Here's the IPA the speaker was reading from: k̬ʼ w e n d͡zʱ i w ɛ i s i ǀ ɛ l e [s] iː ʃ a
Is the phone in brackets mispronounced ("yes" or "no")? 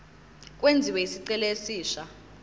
no